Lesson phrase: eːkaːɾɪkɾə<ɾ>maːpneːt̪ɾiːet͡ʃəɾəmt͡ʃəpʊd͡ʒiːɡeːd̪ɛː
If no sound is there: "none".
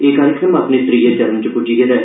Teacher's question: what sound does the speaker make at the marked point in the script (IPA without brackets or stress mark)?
none